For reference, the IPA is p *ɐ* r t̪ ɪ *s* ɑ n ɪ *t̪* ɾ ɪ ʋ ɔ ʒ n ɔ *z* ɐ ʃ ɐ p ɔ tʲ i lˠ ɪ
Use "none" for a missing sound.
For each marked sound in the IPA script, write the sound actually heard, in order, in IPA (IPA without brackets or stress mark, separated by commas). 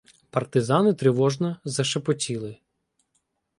ɐ, z, t̪, z